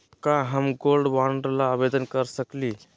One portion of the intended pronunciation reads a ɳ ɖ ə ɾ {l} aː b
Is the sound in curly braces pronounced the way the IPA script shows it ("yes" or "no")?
yes